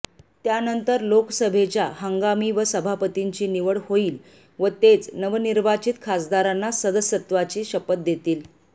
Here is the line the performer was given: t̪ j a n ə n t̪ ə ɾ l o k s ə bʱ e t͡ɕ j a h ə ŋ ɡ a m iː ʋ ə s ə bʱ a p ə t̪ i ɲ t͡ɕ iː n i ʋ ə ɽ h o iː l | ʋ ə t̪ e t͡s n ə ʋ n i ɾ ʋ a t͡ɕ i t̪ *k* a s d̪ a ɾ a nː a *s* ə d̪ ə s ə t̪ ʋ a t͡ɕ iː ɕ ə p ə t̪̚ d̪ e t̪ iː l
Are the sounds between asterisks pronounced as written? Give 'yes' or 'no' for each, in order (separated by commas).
no, yes